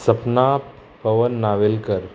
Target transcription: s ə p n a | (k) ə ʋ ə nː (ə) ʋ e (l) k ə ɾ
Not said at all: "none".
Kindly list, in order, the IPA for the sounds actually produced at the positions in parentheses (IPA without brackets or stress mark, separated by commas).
p, a, l